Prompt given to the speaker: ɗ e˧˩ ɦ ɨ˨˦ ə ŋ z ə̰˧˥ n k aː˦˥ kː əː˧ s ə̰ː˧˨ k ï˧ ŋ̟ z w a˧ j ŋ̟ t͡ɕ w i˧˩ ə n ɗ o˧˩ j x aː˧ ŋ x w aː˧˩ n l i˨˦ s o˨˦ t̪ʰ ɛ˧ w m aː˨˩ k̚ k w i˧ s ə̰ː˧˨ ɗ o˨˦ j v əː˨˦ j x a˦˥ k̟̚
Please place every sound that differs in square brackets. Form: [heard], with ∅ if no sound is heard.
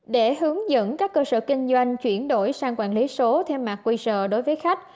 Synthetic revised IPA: ɗ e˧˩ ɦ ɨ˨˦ ə ŋ z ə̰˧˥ n k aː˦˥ kː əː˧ s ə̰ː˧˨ k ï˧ ŋ̟ z w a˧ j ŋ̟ t͡ɕ w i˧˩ ə n ɗ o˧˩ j [s] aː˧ ŋ [k] w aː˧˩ n l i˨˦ s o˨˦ t̪ʰ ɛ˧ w m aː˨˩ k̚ k w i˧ s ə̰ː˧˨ ɗ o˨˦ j v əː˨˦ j x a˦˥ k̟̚